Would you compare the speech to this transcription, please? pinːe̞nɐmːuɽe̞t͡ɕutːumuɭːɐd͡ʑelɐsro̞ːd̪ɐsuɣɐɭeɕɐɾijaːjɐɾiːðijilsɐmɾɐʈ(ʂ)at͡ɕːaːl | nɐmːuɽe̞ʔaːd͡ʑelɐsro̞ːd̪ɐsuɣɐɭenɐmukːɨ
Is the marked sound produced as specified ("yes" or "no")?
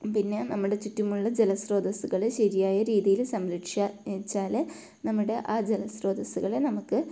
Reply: yes